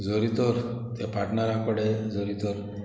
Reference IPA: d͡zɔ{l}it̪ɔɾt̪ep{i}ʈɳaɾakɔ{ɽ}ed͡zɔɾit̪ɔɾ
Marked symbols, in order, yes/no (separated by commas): no, no, yes